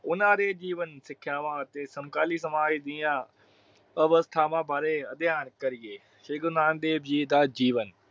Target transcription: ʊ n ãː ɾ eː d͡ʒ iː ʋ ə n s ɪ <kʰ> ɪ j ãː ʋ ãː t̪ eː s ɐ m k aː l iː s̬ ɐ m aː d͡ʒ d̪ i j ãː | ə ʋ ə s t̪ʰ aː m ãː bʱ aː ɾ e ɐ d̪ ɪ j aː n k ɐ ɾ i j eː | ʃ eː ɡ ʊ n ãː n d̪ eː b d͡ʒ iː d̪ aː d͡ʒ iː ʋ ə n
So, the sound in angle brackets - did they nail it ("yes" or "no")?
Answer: yes